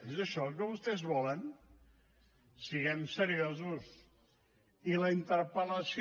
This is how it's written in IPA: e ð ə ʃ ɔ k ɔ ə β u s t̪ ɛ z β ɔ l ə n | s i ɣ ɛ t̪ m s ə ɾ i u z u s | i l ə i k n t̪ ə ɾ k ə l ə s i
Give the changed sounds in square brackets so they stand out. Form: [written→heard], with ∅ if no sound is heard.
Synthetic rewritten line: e [ð→z] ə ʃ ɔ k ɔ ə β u s t̪ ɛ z β ɔ l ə n | s i ɣ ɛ [t̪→∅] m s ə ɾ i [u→o] z u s | i l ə i [k→∅] n t̪ ə ɾ [k→p] ə l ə s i